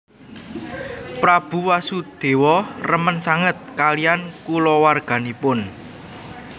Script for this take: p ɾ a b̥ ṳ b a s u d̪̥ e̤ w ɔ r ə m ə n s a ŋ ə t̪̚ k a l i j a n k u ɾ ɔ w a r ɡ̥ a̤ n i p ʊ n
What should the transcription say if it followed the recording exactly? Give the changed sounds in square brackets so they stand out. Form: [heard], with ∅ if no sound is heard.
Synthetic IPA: p ɾ a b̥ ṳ [w] a s u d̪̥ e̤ w ɔ r ə m ə n s a ŋ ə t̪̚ k a l i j a n k u [l] ɔ w a r ɡ̥ a̤ n i p ʊ n